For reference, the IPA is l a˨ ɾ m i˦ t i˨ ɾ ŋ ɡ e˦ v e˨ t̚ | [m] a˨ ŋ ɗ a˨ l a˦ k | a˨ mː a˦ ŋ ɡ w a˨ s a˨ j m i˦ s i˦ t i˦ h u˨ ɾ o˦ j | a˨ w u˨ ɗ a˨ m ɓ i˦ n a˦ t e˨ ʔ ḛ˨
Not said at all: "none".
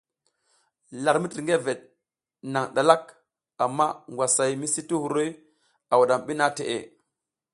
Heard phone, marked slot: n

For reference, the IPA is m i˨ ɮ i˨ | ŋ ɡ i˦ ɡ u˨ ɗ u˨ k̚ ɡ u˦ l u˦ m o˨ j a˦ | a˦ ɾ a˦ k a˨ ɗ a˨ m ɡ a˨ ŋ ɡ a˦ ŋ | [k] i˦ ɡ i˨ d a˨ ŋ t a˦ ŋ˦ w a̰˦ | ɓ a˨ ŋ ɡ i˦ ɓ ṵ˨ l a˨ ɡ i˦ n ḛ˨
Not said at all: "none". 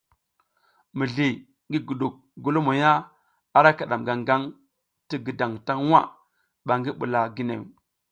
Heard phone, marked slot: t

